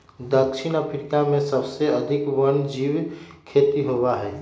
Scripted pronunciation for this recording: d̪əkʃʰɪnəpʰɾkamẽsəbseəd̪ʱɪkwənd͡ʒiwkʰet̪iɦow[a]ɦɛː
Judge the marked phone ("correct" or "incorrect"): correct